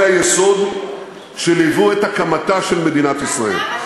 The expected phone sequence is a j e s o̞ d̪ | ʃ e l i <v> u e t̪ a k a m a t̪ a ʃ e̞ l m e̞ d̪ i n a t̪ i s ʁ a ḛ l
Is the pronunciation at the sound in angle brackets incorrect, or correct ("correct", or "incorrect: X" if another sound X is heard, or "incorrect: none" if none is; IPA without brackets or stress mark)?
correct